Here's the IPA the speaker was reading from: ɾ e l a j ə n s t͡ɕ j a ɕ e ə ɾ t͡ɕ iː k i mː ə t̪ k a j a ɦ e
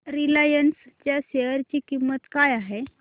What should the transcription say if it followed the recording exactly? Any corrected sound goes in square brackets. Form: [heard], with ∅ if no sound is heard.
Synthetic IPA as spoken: ɾ [i] l a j ə n s t͡ɕ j a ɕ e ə ɾ t͡ɕ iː k i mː ə t̪ k a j a ɦ e